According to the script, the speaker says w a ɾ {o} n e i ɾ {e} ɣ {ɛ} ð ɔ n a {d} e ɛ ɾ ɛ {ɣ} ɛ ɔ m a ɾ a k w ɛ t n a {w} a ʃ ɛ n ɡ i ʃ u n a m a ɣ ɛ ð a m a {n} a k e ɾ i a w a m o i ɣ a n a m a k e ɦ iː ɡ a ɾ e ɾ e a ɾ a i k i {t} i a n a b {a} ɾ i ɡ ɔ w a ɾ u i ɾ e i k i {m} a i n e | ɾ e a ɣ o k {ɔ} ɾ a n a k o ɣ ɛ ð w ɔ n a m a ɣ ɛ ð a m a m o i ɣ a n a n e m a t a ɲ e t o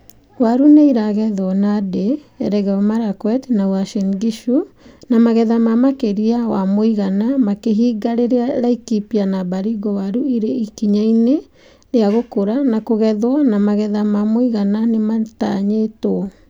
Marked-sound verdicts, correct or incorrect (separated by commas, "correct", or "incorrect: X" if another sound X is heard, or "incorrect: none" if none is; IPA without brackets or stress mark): incorrect: u, incorrect: a, correct, correct, correct, correct, incorrect: m, incorrect: p, correct, incorrect: ɲ, incorrect: o